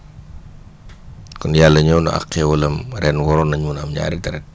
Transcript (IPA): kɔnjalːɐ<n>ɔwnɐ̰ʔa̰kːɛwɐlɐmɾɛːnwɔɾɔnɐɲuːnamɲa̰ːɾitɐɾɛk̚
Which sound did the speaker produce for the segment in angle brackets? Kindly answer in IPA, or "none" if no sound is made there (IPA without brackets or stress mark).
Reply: ɲ